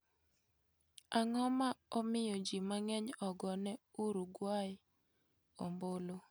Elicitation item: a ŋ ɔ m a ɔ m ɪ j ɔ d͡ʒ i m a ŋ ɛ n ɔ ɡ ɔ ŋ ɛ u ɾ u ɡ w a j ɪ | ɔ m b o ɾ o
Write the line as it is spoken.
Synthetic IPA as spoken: a ŋ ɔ m a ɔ m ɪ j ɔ d͡ʒ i m a ŋ ɛ ɲ ɔ ɡ ɔ n ɛ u ɾ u ɡ w a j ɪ | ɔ m b o l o

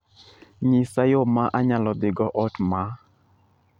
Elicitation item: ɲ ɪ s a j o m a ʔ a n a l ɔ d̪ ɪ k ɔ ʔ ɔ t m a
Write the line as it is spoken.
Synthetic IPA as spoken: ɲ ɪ s a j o m a ʔ a ɲ a l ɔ d̪ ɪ ɡ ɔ ʔ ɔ t m a

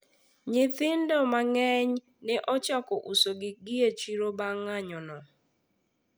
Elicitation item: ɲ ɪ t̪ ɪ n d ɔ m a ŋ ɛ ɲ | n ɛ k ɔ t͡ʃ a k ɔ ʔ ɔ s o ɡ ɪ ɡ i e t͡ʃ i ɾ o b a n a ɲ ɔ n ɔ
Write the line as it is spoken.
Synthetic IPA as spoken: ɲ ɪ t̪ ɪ n d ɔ m a ŋ ɛ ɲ | n ɛ ʔ ɔ t͡ʃ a k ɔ ʔ u s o ɡ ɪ ɡ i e t͡ʃ i ɾ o b a ŋ a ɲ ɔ n ɔ

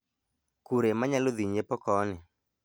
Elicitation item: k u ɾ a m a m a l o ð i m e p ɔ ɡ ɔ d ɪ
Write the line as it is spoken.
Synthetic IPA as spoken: k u ɾ e m a ɲ a l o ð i ɲ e p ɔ k ɔ n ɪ

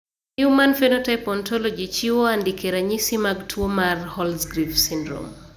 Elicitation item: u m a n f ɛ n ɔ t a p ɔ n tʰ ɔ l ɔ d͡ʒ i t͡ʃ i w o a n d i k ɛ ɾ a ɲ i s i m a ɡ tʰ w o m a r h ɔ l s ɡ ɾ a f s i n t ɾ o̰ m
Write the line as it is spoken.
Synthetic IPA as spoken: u m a n f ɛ n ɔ t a p ɔ n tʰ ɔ l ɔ d͡ʒ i t͡ʃ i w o a n d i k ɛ ɾ a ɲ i s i m a ɡ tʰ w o m a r h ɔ l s ɡ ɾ i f s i n d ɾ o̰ m

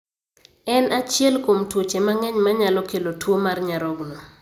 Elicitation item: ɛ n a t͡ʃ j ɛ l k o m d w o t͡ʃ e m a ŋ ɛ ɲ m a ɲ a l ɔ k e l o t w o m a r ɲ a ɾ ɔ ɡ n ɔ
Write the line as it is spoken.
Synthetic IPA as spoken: ɛ n a t͡ʃ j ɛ l k o m t w o t͡ʃ e m a ŋ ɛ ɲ m a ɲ a l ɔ k e l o t w o m a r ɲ a ɾ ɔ ɡ n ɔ

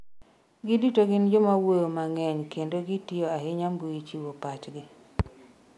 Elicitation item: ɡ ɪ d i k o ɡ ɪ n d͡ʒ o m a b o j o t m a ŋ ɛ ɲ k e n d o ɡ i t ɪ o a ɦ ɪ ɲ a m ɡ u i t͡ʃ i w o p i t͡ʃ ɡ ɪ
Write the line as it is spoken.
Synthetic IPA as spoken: ɡ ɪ d i t o ɡ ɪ n d͡ʒ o m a w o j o m a ŋ ɛ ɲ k e n d o ɡ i t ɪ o a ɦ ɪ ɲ a m ɡ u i t͡ʃ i w o p a t͡ʃ ɡ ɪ

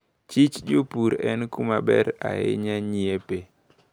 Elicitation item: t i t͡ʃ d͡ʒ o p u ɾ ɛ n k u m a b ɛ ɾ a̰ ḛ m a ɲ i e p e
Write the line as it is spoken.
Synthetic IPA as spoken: t͡ʃ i t͡ʃ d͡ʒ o p u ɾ ɛ n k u m a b ɛ ɾ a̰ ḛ ɲ a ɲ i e p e

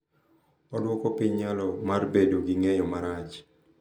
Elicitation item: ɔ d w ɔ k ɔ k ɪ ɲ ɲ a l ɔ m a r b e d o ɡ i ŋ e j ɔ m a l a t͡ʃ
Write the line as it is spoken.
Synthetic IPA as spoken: ɔ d w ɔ k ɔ p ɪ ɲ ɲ a l ɔ m a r b e d o ɡ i ŋ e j ɔ m a ɾ a t͡ʃ

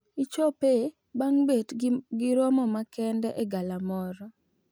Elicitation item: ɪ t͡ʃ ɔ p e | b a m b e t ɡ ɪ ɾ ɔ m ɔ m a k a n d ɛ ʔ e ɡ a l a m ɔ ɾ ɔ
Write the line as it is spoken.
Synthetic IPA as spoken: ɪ t͡ʃ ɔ p e | b a ŋ b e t ɡ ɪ ɾ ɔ m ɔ m a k ɛ n d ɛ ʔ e ɡ a l a m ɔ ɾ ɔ

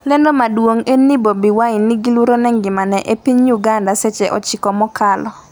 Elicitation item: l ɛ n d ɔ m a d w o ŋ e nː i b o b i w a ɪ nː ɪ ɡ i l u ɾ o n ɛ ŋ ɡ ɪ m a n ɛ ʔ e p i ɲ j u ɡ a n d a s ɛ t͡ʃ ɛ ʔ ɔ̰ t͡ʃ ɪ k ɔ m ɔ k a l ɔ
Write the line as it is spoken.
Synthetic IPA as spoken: l ɛ n d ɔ m a d w o ŋ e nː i b o b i w a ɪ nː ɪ ɡ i l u ɾ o n ɛ ŋ ɡ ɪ m a n ɛ ʔ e p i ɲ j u ɡ a n d a s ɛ t͡ʃ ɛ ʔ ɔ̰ t͡ʃ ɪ k ɔ m ɔ k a l ɔ

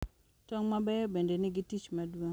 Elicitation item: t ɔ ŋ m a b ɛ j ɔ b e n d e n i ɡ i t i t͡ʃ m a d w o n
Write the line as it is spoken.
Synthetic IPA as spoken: t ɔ ŋ m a b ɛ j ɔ b e n d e n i ɡ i t i t͡ʃ m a d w o ŋ

